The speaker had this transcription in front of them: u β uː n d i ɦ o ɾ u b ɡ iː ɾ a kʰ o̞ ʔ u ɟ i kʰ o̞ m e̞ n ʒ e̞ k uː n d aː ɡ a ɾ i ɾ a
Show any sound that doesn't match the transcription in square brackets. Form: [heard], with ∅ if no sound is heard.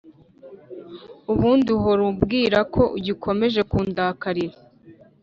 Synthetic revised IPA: u β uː n d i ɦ o ɾ u b ɡ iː ɾ a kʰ o̞ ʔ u ɟ i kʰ o̞ m e̞ [∅] ʒ e̞ k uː n d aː [k] a ɾ i ɾ a